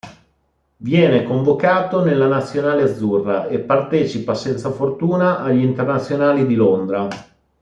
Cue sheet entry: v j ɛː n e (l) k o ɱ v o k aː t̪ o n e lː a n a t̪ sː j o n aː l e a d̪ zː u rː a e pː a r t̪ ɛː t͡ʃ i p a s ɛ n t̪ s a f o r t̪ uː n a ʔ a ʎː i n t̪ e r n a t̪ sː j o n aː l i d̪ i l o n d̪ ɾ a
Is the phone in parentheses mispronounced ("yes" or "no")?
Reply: yes